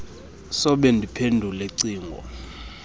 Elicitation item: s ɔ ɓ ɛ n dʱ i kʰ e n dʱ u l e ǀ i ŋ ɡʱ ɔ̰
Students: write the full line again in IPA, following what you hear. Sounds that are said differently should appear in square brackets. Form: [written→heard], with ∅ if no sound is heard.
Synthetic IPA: s ɔ ɓ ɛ n dʱ i [kʰ→pʰ] e n dʱ u l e ǀ [i→iː] ŋ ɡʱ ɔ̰